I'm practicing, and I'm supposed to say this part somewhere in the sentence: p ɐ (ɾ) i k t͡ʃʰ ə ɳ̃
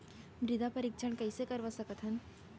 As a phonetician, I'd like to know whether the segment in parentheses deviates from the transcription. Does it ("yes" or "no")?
no